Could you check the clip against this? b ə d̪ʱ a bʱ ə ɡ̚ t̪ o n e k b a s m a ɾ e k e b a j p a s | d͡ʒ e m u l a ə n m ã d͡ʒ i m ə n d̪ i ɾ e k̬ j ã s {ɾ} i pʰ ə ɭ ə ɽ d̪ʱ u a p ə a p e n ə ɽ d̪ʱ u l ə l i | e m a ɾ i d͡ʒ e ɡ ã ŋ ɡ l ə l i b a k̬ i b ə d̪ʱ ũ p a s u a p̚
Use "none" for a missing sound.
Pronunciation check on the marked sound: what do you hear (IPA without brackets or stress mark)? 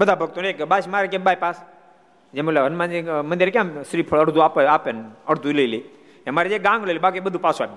ɾ